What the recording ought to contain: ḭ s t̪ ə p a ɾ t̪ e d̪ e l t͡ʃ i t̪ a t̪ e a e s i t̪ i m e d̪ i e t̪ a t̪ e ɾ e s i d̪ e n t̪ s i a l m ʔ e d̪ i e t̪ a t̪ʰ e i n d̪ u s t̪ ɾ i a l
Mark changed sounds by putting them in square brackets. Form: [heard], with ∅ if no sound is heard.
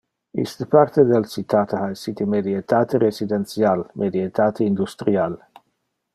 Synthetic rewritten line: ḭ s t̪ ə p a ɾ t̪ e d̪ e l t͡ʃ i t̪ a t̪ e a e s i t̪ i m e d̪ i e t̪ a t̪ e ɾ e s i d̪ e n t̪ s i a l m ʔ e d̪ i e t̪ a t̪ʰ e i n d̪ u s t̪ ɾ i a l

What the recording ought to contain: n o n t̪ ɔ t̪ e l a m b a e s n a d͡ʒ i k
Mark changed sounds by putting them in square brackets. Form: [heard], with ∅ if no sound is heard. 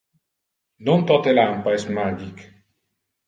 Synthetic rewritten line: n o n t̪ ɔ t̪ e l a m [p] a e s [m] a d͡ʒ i k

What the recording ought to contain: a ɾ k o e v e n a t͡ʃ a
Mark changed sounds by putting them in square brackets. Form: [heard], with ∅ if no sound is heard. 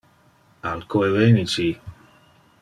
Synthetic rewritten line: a [l] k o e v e n [i] t͡ʃ [i]

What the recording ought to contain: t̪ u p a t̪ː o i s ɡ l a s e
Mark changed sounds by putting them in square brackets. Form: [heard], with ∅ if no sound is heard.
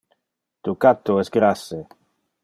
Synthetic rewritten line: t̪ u [k] a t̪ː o [ɛ] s ɡ [ɾ] a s e

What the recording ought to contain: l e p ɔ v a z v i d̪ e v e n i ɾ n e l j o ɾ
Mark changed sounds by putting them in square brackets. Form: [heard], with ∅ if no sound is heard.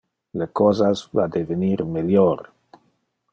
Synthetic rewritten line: l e [k] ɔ [z] a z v [a] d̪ e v e n i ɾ [m] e l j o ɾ

